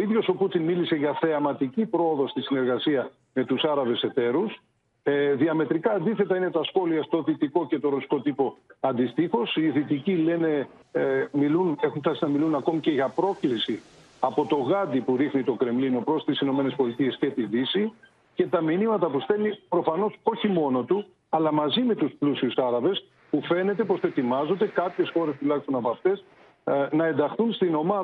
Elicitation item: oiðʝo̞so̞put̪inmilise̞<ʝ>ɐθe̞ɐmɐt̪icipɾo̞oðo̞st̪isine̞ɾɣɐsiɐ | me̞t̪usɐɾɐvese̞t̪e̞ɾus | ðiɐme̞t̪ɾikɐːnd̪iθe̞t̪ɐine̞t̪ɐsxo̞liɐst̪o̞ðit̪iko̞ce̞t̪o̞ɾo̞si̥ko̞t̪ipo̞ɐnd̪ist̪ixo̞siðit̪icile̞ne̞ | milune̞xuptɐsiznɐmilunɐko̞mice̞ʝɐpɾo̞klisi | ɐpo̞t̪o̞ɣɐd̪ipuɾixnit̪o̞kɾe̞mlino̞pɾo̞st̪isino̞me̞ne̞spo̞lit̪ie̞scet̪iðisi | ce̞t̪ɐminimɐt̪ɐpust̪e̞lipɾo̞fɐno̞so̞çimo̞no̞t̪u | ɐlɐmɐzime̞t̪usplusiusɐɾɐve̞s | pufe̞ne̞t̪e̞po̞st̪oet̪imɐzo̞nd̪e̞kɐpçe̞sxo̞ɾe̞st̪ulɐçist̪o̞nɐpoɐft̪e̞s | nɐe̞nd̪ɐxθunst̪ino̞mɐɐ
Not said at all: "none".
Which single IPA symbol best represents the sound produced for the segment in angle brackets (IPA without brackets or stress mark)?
ʝ